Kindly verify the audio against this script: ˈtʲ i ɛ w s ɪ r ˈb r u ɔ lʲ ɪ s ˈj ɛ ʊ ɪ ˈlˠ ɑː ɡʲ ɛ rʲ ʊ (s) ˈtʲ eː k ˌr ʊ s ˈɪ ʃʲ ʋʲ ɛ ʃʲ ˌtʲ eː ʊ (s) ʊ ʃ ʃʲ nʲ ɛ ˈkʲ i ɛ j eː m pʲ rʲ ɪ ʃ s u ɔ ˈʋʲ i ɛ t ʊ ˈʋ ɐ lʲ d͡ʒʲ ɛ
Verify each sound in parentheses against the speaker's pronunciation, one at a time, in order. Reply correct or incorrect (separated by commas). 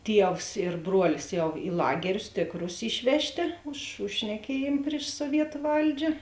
correct, incorrect